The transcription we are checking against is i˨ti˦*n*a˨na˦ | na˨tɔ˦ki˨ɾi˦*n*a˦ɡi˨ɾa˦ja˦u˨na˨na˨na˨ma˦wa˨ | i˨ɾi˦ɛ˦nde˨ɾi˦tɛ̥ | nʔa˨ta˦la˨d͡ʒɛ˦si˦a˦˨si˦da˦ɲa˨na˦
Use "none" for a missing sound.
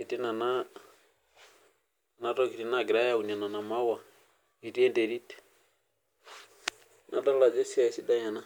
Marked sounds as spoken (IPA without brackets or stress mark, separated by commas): n, n